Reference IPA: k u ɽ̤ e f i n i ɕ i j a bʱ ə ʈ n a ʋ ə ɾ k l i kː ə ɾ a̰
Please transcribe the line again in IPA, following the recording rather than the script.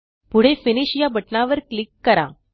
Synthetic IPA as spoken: p u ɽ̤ e f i n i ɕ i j a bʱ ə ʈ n a ʋ ə ɾ k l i kː ə ɾ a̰